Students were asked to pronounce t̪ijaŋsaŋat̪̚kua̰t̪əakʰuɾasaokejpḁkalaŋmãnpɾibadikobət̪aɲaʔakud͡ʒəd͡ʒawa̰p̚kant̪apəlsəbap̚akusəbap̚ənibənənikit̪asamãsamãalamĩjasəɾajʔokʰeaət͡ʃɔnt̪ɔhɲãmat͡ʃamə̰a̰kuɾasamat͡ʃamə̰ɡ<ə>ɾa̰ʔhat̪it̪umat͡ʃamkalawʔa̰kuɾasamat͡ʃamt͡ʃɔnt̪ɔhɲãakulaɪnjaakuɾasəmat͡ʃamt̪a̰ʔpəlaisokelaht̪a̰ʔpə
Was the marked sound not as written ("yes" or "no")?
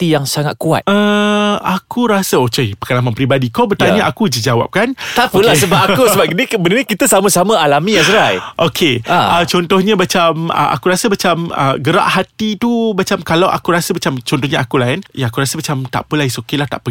no